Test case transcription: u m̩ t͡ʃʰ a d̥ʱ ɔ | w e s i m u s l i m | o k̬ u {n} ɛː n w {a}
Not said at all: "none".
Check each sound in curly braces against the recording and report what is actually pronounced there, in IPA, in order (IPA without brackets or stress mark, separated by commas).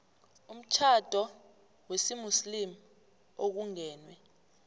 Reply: ŋ, ɛ